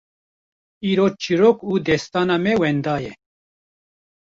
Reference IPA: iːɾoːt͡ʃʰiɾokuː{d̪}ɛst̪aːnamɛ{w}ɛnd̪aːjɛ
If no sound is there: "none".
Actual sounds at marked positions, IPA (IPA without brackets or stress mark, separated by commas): d̪, w